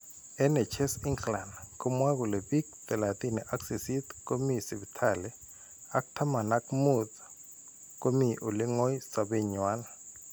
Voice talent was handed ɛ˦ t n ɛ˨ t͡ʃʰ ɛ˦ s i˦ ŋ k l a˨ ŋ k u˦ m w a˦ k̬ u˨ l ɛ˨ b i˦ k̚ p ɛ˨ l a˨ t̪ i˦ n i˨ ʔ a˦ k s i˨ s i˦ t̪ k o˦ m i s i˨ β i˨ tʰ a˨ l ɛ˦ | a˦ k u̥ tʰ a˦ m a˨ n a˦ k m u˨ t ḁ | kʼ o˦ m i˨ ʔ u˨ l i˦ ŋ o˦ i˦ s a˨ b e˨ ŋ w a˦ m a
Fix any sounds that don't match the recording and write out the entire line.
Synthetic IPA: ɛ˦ n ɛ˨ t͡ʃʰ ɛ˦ s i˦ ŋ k l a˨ n k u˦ m w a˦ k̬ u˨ l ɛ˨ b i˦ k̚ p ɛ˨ l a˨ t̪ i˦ n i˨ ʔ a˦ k s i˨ s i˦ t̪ k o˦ m i s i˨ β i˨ tʰ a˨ l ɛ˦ | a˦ k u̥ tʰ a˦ m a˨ n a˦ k m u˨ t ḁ | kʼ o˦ m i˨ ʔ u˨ l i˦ ŋ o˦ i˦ s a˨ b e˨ ɲ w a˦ n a